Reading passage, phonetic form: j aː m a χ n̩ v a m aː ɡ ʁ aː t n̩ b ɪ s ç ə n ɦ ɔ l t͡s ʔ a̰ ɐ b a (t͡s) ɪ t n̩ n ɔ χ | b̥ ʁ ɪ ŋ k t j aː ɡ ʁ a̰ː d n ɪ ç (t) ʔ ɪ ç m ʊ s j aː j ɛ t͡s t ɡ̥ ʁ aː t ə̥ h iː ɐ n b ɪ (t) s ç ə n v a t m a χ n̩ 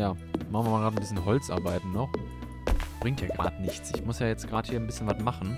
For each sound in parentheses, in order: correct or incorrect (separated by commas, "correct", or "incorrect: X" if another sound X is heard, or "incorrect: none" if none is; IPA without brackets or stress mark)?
incorrect: none, incorrect: t͡s, incorrect: none